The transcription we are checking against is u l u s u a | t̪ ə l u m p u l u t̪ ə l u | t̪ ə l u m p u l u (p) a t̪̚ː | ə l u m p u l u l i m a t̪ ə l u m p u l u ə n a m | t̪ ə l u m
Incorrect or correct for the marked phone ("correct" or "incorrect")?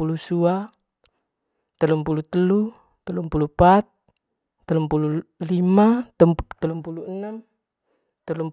correct